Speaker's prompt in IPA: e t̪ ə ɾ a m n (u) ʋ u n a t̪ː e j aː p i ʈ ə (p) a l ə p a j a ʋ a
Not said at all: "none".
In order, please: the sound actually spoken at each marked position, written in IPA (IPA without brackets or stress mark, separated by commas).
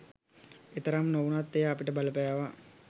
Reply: o, b